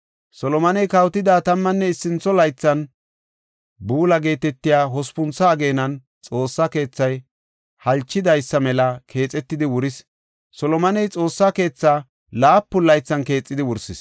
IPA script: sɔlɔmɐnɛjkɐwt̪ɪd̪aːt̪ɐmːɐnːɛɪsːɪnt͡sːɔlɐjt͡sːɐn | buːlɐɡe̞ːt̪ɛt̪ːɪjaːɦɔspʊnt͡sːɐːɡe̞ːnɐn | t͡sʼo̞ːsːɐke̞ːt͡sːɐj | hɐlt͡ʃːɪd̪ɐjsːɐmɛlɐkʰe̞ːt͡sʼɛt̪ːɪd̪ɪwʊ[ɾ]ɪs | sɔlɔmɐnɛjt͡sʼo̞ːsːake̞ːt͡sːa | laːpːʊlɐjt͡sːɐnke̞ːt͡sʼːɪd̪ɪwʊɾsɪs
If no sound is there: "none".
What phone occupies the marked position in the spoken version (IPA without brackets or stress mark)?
ɾ